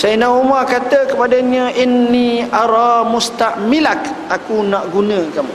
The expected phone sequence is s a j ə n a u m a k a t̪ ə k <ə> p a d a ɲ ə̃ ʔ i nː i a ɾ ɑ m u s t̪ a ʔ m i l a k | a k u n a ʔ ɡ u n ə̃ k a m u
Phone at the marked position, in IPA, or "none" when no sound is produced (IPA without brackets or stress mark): ə